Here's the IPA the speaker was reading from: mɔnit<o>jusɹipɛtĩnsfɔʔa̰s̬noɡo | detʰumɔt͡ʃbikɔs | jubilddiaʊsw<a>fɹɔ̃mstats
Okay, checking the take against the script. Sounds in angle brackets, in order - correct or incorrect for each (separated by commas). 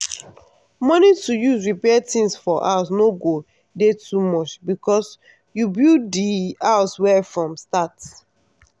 incorrect, incorrect